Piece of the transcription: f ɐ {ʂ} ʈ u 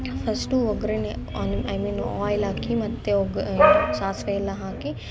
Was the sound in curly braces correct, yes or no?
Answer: no